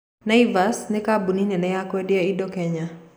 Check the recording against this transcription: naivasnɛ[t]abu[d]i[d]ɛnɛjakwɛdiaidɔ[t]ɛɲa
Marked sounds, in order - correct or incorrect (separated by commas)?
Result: incorrect, incorrect, incorrect, incorrect